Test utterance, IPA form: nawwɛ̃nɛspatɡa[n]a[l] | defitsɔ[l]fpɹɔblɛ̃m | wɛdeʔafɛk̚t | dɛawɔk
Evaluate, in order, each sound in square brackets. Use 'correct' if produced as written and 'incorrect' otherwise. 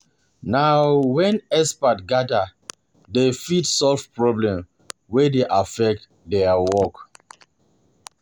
incorrect, incorrect, correct

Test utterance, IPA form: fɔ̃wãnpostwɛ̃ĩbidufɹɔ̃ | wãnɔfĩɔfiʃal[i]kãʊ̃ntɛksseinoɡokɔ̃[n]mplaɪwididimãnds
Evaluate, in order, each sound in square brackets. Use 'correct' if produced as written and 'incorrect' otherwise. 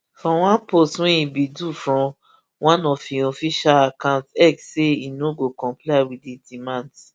incorrect, incorrect

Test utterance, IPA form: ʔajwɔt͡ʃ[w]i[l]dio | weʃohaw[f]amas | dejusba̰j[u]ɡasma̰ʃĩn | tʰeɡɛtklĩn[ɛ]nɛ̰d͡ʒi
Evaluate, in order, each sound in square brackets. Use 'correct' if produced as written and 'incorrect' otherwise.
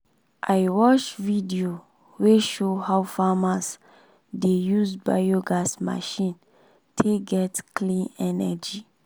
incorrect, incorrect, correct, incorrect, correct

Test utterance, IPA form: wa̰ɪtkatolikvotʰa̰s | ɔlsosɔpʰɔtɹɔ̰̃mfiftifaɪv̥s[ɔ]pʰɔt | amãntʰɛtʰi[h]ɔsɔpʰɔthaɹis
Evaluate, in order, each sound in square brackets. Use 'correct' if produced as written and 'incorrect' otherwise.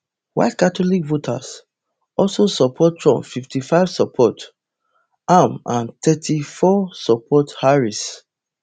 correct, incorrect

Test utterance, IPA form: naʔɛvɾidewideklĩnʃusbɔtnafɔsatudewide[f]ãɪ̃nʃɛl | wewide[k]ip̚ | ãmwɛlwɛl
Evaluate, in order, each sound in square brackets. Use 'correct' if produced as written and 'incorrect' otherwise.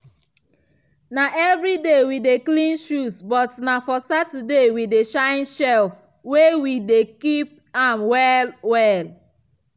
incorrect, correct

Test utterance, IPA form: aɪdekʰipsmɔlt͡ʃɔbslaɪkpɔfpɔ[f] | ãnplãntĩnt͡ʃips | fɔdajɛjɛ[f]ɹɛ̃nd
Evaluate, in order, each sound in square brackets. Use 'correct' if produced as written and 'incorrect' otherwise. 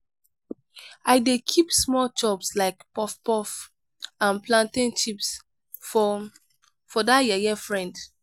correct, correct

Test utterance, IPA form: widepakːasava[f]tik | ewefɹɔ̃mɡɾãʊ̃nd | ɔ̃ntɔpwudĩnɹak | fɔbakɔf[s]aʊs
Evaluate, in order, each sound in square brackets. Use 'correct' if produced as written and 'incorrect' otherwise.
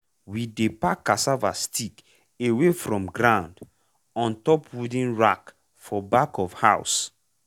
incorrect, incorrect

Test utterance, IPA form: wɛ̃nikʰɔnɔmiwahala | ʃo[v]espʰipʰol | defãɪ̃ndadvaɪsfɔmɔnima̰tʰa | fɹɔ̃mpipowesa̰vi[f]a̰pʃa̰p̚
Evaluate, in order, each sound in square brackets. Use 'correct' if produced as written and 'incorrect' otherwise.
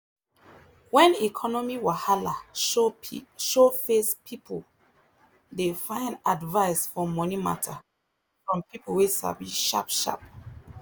incorrect, incorrect

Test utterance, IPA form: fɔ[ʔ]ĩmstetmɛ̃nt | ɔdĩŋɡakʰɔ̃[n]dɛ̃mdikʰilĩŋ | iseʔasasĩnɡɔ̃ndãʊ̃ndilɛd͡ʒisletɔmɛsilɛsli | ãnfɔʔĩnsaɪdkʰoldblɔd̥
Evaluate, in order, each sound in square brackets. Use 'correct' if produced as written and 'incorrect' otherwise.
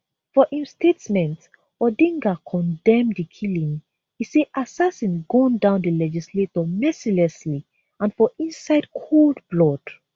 correct, correct

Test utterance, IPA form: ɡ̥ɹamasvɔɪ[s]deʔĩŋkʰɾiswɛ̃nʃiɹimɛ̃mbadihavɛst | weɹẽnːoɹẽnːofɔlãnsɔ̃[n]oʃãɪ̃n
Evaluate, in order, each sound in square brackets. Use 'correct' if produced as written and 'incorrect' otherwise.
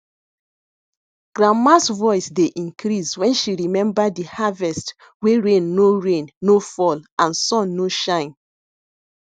correct, incorrect

